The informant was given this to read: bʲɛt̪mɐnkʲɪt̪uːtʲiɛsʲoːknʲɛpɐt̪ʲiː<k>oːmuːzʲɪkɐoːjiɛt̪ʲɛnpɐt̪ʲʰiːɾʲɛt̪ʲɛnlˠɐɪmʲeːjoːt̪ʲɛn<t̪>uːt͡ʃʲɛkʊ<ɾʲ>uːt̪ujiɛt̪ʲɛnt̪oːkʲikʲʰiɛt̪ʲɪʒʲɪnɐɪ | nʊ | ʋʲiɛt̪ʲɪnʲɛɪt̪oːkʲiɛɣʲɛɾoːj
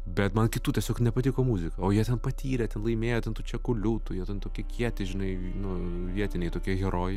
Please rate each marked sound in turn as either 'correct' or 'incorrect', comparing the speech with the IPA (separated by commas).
correct, correct, incorrect